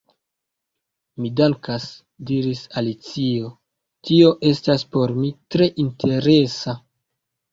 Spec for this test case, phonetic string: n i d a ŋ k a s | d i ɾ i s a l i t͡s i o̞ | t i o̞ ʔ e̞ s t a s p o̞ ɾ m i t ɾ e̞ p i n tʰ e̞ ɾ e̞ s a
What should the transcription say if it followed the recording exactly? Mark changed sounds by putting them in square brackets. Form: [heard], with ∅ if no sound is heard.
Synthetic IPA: [m] i d a ŋ k a s | d i ɾ i s a l i t͡s i o̞ | t i o̞ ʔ e̞ s t a s p o̞ ɾ m i t ɾ e̞ [ʔ] i n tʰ e̞ ɾ e̞ s a

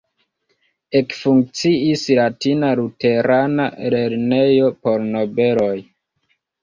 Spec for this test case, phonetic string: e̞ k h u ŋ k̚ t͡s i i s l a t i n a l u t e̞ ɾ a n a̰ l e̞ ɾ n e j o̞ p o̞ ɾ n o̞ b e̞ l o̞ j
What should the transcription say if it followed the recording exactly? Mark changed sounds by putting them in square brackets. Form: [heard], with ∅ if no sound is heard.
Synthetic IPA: e̞ k [f] u ŋ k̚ t͡s i i s l a t i n a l u t e̞ ɾ a n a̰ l e̞ ɾ n e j o̞ p o̞ ɾ n o̞ b e̞ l o̞ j

